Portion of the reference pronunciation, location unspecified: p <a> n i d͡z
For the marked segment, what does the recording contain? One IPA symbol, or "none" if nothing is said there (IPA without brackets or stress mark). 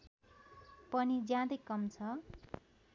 ʌ